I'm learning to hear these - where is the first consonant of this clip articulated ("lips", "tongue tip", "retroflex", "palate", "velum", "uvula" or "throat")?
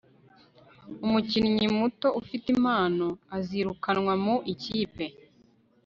lips